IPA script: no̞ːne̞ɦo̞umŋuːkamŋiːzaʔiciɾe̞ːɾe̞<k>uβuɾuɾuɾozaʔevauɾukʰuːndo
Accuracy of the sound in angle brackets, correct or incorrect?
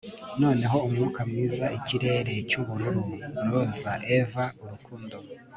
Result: incorrect